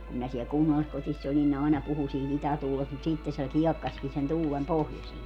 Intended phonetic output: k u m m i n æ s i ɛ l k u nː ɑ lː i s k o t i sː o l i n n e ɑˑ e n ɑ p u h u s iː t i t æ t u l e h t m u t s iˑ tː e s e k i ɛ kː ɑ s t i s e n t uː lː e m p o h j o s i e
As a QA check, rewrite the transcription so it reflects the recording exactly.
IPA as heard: k u m m i n æ s i ɛ l k u nː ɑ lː i s k o t i sː o l i n n e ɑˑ e n ɑ p u h u s iː t i t æ t uː l e s t m u t s iˑ tː e s e k i ɛ kː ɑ s k i s e n t uː l e m p o h j o s i e